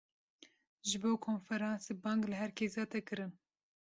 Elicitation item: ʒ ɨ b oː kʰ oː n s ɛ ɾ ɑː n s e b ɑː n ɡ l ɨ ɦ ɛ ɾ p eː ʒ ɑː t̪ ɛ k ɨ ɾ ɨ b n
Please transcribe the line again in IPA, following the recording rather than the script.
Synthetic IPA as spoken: ʒ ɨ b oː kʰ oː n f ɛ ɾ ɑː n s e b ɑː ŋ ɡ l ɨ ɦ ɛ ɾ k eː z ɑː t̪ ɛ k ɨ ɾ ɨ n